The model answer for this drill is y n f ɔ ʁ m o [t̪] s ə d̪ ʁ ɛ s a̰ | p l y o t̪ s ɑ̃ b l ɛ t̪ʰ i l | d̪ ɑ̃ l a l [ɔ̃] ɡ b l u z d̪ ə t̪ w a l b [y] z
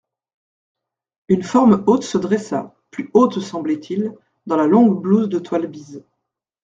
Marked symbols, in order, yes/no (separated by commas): yes, yes, no